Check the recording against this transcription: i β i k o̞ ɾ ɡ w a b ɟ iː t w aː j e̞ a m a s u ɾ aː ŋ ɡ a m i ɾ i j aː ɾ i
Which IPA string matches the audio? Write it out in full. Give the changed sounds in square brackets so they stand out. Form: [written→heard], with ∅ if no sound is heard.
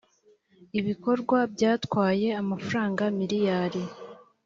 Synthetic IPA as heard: i β i k o̞ ɾ ɡ w a b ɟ [iː→aː] t w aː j e̞ a m a [s→f] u ɾ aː ŋ ɡ a m i ɾ i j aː ɾ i